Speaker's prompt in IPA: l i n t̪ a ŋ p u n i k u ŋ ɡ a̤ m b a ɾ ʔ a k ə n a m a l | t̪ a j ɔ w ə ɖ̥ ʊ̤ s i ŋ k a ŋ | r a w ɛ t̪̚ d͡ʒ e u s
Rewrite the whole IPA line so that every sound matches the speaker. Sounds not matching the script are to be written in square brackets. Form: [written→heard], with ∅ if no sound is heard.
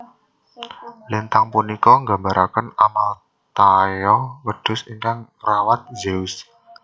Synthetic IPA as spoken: l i n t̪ a ŋ p u n i k [u→ɔ] ŋ ɡ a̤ m b a ɾ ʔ a k ə n a m a l | t̪ a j ɔ w ə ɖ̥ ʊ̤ s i ŋ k a ŋ | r a w [ɛ→a] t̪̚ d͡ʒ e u s